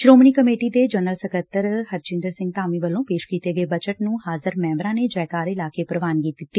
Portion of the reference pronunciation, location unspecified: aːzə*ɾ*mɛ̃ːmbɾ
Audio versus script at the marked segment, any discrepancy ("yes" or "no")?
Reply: no